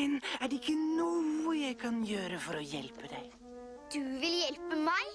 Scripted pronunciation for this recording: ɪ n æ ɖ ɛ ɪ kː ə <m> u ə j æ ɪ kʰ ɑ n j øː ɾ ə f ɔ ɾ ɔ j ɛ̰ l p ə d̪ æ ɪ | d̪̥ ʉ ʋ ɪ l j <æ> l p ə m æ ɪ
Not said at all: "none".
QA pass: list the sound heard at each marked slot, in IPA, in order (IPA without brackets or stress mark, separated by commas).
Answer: n, ɛ